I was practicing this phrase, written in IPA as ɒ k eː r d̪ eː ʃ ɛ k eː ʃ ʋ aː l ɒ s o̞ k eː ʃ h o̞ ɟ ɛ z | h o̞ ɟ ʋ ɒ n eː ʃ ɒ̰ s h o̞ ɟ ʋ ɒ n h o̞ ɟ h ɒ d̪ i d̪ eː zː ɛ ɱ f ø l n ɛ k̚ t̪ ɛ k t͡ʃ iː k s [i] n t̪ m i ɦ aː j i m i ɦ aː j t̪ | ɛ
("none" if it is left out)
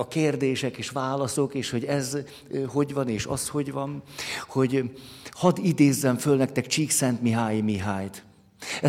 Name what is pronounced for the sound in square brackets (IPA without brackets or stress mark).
ɛ